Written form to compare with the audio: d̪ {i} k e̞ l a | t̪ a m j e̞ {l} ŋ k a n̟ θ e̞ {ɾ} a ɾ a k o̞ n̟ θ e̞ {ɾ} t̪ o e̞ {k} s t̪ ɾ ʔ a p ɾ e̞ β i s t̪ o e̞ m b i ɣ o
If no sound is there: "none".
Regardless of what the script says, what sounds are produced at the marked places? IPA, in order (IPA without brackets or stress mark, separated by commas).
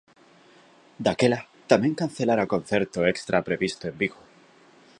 a, none, l, ɾ, k